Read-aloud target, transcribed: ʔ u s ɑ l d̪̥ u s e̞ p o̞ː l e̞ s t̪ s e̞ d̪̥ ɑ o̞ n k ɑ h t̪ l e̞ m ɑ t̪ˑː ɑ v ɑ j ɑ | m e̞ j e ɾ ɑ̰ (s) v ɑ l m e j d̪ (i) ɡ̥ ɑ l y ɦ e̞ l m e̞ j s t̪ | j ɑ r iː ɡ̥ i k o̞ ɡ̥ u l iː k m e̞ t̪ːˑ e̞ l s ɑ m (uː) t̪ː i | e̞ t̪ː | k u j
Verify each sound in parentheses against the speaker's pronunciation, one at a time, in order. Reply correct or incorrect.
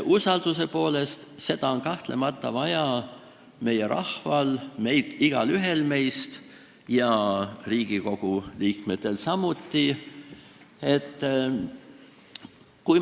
incorrect, correct, incorrect

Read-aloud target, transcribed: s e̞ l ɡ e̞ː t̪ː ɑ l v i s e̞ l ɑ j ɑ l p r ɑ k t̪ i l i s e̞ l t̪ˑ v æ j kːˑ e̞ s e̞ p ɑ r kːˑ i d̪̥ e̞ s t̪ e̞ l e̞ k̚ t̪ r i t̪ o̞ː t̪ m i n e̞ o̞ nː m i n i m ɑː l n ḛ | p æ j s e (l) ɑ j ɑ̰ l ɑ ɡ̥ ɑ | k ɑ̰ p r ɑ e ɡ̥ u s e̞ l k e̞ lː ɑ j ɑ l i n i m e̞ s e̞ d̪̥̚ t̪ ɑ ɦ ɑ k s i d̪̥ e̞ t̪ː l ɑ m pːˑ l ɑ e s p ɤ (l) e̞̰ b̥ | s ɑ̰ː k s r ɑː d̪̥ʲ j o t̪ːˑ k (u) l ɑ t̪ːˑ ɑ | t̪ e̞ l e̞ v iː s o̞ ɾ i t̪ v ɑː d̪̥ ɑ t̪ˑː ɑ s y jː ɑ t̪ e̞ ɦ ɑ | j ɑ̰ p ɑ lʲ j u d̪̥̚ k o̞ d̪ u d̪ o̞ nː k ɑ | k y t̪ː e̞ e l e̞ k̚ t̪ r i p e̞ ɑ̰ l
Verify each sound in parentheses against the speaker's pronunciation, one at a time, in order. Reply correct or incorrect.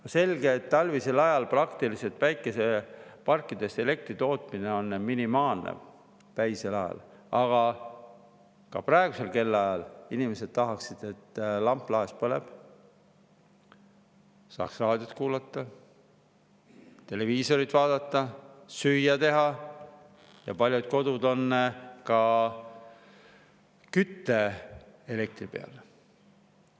correct, correct, incorrect

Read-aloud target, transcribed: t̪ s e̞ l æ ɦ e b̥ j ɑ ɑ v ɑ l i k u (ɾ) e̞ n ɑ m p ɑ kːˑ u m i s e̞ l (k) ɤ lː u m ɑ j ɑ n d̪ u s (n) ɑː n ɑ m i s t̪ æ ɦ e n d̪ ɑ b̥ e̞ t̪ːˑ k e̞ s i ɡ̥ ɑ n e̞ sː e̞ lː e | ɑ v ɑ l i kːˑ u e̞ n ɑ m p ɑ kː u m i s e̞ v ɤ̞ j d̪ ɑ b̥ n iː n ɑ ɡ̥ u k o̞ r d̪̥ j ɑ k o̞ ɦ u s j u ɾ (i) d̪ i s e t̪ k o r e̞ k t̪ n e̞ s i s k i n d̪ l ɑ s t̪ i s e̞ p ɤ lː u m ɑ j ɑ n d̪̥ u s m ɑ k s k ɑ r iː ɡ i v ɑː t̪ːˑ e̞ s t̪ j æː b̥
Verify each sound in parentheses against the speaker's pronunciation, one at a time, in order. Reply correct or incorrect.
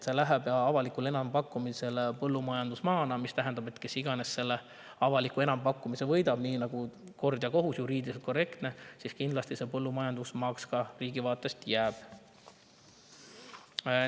incorrect, incorrect, incorrect, incorrect

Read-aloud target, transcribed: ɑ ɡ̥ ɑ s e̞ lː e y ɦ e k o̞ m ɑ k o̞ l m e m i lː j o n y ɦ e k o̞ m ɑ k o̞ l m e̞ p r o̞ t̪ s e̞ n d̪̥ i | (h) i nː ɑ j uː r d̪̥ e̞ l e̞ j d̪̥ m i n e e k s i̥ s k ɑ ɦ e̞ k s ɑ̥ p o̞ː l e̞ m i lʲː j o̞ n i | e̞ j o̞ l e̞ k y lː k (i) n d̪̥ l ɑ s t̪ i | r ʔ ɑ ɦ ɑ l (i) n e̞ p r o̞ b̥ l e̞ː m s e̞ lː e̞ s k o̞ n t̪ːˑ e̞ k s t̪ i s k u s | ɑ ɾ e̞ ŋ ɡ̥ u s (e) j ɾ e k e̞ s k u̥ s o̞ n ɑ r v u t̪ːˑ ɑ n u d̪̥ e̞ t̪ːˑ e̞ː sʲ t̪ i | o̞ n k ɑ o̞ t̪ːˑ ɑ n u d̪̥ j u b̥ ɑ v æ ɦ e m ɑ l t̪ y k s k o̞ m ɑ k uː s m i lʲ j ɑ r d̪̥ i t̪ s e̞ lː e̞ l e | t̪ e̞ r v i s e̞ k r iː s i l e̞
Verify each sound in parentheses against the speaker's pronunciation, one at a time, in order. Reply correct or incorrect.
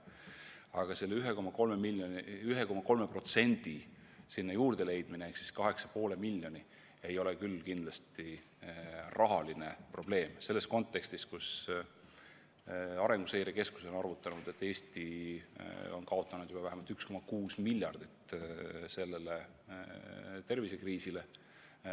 incorrect, correct, correct, correct

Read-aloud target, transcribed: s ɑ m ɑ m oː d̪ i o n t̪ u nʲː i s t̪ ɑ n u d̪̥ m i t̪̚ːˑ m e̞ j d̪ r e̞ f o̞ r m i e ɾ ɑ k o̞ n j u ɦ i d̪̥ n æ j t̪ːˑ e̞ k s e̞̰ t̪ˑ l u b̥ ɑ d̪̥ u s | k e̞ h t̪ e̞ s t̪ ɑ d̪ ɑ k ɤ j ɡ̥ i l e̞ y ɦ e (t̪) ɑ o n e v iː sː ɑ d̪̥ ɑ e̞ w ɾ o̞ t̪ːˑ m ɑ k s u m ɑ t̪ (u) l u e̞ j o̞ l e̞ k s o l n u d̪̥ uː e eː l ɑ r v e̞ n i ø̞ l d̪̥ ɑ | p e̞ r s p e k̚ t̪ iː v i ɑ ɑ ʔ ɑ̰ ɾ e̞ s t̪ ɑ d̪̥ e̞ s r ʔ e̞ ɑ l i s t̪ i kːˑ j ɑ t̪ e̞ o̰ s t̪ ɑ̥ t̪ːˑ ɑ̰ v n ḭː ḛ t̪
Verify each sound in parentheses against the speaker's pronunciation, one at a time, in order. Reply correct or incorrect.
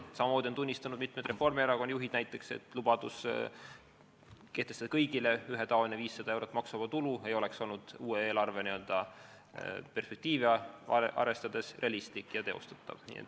correct, correct

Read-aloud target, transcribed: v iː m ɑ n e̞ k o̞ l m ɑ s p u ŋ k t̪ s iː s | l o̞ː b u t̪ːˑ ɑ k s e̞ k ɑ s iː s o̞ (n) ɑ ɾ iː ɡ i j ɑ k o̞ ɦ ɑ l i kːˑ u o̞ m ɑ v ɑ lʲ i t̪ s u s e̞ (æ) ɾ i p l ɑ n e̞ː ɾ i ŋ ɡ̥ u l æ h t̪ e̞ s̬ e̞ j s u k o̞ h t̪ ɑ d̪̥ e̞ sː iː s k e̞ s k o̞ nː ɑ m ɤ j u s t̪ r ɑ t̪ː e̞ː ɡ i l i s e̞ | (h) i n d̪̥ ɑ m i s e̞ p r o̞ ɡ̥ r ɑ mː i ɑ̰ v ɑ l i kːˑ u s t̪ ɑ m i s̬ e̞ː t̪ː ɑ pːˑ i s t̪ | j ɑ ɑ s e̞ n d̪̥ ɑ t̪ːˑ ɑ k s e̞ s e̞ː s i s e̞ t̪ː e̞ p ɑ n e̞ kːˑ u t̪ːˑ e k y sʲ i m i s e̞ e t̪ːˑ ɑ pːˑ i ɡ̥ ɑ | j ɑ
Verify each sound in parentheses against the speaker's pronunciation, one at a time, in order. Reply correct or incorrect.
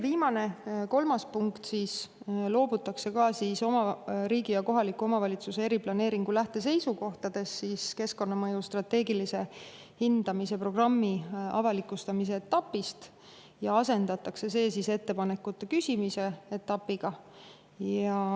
incorrect, incorrect, correct

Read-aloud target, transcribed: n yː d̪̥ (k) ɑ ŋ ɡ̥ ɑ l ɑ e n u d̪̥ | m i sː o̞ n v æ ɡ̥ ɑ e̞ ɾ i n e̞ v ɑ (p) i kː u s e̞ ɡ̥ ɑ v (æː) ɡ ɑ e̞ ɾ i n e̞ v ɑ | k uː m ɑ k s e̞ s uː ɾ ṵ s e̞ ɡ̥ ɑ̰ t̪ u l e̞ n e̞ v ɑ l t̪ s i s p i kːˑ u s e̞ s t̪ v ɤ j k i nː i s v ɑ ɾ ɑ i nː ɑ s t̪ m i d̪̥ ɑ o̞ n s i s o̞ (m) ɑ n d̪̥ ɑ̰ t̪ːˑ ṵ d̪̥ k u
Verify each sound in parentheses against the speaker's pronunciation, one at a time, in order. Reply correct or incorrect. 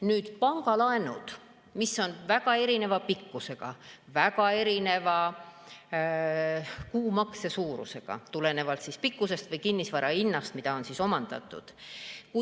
incorrect, correct, incorrect, correct

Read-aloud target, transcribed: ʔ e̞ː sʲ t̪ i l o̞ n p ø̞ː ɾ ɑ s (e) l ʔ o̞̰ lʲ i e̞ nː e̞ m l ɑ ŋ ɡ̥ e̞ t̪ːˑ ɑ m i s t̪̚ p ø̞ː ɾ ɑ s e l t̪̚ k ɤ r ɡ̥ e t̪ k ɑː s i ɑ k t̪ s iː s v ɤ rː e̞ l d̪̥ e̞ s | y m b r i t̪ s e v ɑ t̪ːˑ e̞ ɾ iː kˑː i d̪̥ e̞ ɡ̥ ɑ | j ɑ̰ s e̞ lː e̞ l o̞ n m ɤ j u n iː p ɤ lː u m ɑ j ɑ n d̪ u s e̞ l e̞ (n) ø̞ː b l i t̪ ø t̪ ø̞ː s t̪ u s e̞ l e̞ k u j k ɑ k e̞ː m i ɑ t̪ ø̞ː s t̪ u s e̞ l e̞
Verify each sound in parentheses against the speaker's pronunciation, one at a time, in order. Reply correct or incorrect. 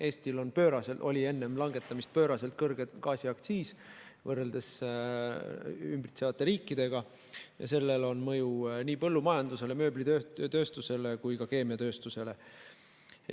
correct, incorrect

